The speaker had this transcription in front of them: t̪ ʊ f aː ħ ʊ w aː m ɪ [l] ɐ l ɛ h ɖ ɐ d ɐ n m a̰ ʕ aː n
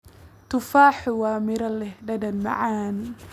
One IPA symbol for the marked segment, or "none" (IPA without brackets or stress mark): ɾ